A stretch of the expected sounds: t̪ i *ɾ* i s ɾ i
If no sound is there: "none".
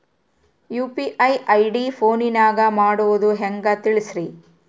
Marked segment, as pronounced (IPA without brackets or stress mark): ɭ